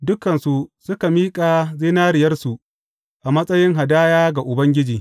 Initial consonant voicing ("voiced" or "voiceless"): voiced